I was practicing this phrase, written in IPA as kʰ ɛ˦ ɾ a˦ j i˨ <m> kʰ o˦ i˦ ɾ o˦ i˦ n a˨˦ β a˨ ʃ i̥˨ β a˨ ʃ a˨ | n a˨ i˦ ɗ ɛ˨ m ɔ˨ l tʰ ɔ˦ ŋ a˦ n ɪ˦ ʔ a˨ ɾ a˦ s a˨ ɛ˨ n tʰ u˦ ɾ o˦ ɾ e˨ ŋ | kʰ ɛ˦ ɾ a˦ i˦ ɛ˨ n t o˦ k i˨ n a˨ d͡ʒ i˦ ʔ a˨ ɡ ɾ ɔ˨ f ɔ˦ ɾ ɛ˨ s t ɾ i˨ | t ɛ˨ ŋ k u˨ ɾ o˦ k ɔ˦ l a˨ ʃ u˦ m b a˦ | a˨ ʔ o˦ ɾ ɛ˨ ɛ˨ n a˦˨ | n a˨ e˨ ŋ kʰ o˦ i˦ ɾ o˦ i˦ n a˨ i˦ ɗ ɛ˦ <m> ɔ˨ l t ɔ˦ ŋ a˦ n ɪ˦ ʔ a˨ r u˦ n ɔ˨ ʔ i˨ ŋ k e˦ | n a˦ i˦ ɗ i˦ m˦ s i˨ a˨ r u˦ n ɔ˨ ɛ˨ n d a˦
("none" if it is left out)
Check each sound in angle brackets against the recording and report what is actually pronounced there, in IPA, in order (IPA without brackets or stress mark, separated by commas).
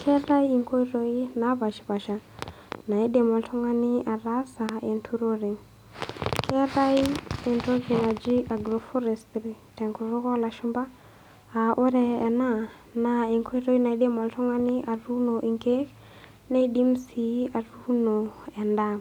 ŋ, m